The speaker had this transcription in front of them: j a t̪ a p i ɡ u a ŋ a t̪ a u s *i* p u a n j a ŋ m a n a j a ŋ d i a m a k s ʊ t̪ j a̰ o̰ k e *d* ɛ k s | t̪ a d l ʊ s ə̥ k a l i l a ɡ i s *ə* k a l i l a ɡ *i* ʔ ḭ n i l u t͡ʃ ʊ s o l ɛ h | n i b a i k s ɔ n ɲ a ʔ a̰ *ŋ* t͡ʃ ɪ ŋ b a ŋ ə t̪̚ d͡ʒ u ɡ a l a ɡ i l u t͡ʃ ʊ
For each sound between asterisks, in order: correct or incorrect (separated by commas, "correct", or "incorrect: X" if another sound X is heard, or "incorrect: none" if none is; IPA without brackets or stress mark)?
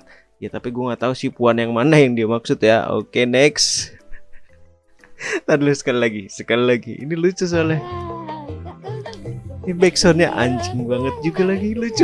correct, incorrect: n, correct, correct, incorrect: ɲ